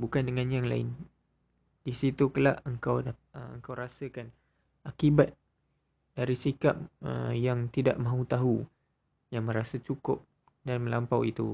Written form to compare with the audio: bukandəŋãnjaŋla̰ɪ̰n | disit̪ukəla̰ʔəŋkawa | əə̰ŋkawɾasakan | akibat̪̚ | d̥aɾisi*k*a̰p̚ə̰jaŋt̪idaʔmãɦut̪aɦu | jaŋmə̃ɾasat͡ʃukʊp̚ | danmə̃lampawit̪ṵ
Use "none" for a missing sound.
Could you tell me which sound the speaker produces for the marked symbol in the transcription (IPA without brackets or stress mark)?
k